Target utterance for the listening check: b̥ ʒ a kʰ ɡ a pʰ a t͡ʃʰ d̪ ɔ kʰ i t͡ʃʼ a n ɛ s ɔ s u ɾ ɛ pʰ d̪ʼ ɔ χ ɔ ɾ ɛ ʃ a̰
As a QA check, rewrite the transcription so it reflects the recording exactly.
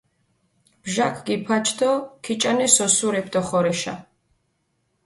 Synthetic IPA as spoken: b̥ ʒ a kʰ ɡ i pʰ a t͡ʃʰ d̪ ɔ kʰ i t͡ʃʼ a n ɛ s ɔ s u ɾ ɛ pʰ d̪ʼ ɔ χ ɔ ɾ ɛ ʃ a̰